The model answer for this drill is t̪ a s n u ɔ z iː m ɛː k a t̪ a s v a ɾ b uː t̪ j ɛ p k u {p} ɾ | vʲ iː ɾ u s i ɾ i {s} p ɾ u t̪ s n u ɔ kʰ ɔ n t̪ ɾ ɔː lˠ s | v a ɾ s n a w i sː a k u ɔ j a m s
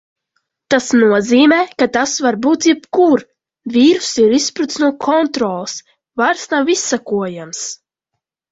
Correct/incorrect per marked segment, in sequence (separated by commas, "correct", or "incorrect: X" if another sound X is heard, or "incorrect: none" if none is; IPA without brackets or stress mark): incorrect: none, correct